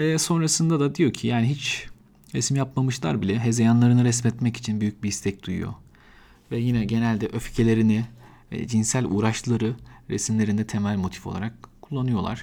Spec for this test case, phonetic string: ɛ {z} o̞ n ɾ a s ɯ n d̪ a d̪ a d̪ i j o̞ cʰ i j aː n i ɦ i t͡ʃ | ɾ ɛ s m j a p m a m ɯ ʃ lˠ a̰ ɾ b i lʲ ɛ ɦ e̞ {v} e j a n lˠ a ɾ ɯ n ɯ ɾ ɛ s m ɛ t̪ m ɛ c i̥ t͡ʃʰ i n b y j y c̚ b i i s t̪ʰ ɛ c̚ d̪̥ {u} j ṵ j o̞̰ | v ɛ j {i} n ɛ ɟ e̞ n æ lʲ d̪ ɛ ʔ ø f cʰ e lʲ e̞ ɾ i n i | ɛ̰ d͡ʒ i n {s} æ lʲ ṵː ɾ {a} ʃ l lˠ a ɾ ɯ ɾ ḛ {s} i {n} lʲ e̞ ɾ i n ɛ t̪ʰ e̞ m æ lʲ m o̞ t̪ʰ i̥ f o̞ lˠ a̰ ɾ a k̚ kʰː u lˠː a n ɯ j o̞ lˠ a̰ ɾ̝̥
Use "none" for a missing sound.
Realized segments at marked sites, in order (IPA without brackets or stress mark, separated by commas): s, z, u, i, s, a, s, m